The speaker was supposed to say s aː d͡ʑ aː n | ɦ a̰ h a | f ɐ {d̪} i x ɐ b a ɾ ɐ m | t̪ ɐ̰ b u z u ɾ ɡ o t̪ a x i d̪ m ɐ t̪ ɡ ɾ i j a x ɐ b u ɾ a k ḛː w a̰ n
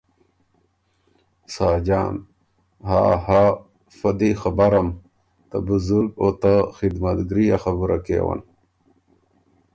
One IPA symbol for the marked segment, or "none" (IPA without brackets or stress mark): d̪